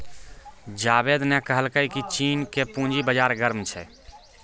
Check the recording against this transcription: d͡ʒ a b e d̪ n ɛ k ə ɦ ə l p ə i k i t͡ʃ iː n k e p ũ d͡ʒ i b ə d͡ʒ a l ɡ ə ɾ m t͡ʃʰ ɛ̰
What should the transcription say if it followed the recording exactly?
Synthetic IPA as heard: d͡ʒ a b e d̪ n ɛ k ə ɦ ə l k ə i k i t͡ʃ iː n k e p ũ d͡ʒ i b ə d͡ʒ a ɾ ɡ ə ɾ m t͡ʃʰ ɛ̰